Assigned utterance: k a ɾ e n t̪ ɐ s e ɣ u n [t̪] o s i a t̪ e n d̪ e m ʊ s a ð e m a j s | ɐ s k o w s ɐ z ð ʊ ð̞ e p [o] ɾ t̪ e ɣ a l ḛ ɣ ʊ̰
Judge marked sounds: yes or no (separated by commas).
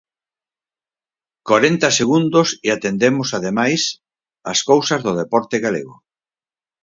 no, no